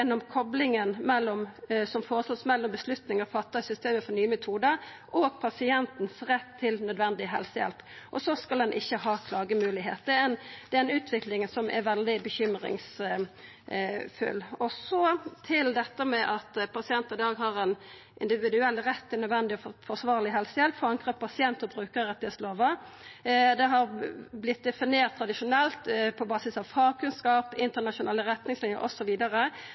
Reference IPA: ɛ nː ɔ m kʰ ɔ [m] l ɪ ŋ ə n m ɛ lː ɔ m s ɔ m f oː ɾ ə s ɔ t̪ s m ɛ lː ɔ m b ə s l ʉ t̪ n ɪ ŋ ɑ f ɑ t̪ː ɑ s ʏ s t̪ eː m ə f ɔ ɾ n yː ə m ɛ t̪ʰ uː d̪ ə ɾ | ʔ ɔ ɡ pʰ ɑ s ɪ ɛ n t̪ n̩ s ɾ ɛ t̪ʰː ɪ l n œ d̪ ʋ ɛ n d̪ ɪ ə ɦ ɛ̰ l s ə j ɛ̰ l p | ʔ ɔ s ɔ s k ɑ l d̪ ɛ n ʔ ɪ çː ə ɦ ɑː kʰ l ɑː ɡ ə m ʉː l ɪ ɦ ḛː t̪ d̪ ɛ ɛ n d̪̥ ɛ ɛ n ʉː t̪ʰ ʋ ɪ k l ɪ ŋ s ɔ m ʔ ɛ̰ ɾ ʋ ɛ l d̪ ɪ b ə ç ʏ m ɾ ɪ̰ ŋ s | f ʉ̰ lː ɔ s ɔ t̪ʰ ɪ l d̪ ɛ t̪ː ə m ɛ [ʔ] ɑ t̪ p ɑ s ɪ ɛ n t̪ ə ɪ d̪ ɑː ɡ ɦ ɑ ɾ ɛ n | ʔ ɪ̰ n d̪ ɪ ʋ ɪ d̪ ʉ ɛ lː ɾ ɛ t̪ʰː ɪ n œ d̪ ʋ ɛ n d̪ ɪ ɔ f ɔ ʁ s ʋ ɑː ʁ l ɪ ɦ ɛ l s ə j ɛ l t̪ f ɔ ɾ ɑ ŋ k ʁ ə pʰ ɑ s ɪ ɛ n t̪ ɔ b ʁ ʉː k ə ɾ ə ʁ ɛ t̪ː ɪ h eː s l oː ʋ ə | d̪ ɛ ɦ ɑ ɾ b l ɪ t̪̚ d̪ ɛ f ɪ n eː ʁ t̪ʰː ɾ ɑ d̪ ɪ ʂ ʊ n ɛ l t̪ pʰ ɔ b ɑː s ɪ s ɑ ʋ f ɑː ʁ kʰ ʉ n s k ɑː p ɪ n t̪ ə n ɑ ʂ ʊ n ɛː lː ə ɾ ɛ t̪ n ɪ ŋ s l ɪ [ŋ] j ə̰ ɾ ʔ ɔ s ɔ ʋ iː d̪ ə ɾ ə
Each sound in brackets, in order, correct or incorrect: incorrect: b, correct, incorrect: n

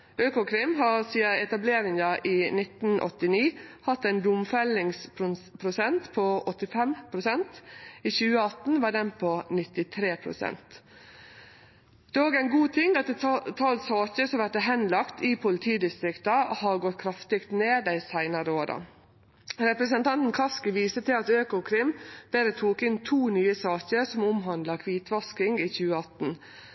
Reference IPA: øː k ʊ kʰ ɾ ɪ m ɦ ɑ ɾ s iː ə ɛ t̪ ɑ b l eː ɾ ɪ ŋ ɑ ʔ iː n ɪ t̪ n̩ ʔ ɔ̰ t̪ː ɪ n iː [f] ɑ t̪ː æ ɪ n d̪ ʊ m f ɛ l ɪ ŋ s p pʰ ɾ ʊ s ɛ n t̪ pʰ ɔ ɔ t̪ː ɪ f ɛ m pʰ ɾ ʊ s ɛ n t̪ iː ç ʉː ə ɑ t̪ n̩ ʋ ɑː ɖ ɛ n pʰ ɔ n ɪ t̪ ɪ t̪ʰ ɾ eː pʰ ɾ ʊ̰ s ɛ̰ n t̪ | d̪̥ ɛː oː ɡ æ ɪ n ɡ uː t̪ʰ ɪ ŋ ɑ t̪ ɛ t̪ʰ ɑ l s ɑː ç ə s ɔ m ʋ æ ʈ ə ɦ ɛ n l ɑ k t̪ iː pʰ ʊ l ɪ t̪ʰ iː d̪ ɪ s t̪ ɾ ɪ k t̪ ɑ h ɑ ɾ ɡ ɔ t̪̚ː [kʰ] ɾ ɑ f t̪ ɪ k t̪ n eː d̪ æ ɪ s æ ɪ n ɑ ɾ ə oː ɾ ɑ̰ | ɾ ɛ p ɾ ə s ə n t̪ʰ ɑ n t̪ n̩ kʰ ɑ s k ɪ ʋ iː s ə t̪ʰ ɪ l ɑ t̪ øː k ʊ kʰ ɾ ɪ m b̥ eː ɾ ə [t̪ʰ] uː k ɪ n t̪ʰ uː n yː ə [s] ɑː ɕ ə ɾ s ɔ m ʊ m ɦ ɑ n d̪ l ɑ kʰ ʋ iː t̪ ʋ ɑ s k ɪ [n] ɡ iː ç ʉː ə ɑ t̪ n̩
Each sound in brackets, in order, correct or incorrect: incorrect: h, correct, correct, correct, incorrect: ŋ

